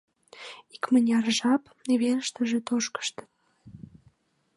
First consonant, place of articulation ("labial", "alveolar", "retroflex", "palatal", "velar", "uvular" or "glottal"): velar